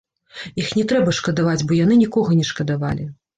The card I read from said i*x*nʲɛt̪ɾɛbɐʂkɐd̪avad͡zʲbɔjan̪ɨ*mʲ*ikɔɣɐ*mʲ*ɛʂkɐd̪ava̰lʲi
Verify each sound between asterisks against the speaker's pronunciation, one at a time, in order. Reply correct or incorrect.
correct, incorrect: nʲ, incorrect: nʲ

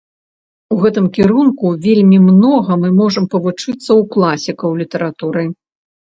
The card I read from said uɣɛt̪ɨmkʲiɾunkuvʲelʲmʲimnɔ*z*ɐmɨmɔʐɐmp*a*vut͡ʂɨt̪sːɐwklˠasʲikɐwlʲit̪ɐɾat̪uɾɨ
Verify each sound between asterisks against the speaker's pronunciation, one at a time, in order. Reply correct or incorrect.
incorrect: ɣ, incorrect: ɐ

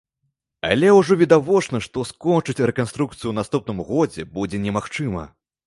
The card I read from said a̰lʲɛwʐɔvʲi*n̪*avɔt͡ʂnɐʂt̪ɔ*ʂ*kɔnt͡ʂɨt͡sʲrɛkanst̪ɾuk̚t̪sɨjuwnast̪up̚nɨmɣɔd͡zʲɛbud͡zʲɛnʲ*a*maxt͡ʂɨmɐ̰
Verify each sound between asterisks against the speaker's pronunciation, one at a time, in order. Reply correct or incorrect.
incorrect: d̪, incorrect: s, incorrect: ɛ

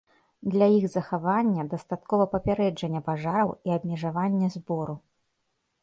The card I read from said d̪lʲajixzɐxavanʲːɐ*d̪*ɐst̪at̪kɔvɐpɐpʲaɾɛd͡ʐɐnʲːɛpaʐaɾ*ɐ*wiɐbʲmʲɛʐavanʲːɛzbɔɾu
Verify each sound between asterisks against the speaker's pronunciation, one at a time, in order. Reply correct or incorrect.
correct, correct

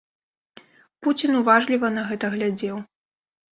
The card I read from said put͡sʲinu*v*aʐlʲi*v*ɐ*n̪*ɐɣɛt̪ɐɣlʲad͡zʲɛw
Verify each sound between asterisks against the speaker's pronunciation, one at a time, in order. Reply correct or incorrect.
correct, correct, correct

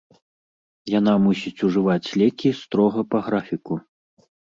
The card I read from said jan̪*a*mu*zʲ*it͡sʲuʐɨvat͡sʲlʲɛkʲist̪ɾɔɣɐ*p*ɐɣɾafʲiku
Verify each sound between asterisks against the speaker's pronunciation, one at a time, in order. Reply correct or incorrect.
correct, incorrect: sʲ, correct

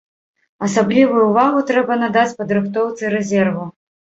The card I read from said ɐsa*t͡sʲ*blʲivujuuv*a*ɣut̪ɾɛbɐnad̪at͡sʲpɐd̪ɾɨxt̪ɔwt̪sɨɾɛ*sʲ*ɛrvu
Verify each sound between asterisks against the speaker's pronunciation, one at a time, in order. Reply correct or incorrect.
incorrect: none, correct, incorrect: zʲ

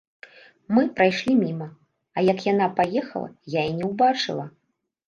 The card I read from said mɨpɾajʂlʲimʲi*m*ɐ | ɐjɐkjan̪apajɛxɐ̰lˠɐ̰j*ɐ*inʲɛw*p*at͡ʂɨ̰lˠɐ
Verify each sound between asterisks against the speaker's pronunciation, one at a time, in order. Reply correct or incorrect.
correct, incorrect: a, incorrect: b

